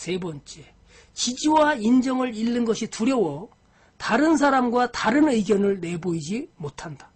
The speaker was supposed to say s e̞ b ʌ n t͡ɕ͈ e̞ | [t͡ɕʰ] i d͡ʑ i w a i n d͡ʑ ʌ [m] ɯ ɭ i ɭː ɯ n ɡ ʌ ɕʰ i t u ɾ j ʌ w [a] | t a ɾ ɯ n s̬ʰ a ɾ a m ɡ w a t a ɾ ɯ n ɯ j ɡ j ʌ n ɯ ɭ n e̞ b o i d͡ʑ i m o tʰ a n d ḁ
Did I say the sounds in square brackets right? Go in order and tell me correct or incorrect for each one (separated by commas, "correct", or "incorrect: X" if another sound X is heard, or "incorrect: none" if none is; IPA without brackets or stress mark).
incorrect: t͡ɕ, incorrect: ŋ, incorrect: ʌ